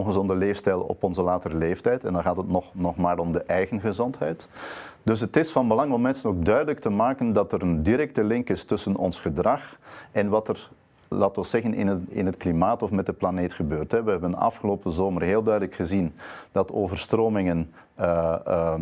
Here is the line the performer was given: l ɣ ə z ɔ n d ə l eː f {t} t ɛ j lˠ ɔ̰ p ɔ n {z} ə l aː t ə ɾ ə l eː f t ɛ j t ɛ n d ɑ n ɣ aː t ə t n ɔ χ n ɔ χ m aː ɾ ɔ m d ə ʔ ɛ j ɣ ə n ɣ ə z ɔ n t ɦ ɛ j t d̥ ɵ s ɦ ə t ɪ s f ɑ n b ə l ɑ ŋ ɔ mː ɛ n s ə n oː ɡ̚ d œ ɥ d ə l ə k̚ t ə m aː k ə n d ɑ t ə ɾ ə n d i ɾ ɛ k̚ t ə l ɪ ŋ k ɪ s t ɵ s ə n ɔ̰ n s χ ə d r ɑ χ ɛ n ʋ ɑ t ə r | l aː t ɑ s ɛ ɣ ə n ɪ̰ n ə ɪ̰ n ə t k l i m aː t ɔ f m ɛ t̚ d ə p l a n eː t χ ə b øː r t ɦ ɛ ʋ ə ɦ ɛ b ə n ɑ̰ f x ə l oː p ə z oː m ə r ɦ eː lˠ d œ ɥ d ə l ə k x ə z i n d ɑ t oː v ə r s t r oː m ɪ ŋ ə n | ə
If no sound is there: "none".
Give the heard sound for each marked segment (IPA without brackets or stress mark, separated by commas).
s, z